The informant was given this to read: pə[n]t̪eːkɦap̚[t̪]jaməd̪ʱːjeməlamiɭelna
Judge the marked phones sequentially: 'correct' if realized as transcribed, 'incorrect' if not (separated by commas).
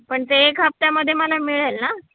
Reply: incorrect, correct